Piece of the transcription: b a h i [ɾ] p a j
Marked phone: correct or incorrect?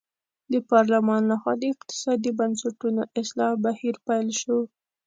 correct